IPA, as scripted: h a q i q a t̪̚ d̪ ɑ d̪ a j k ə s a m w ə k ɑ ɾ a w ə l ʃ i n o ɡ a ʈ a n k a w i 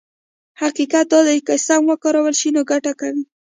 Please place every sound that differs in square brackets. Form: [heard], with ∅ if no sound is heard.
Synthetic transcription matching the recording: h a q i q a t̪̚ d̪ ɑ d̪ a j k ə s a m w ə k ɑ ɾ a w ə l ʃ i n o ɡ a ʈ a [∅] k a w i